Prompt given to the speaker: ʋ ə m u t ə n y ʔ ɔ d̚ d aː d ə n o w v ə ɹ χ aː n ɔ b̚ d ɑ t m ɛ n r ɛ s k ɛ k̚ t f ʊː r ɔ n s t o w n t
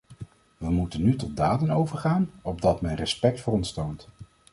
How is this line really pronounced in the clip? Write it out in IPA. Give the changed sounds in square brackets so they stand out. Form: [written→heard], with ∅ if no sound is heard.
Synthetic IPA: ʋ ə m u t ə n y [ʔ→t] ɔ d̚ d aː d ə n o w v ə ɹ χ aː n ɔ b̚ d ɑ t m ɛ n r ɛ s [k→p] ɛ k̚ t f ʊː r ɔ n s t o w n t